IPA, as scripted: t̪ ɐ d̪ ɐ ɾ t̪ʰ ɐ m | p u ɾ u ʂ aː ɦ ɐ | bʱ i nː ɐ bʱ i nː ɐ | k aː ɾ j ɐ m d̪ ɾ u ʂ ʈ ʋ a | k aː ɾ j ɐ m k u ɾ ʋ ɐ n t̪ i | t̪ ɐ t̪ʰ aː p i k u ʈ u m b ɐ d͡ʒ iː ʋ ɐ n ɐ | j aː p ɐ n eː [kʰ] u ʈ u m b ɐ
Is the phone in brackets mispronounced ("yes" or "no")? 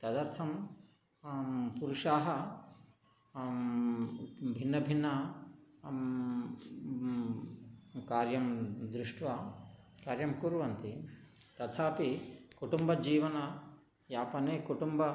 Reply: yes